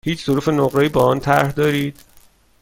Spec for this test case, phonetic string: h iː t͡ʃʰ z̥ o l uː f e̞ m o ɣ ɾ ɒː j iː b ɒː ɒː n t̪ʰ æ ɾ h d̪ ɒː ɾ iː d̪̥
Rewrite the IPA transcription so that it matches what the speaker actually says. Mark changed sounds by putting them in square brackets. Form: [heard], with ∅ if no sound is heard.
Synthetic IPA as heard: h iː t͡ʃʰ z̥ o [ɾ] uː f e̞ [n] o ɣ ɾ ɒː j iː b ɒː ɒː n t̪ʰ æ ɾ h d̪ ɒː ɾ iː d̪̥